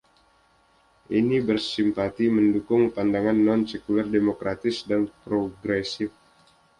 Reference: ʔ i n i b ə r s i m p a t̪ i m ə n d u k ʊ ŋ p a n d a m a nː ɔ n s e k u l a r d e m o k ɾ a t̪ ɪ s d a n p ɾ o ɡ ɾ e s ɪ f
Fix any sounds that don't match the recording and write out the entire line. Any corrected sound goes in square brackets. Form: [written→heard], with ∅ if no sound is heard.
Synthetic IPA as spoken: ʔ i n i b ə r s i m p a t̪ i m ə n d u k ʊ ŋ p a n d a [m→ŋ] a nː ɔ n s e k u l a r d e m o k ɾ a t̪ ɪ s d a n p ɾ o ɡ ɾ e s ɪ f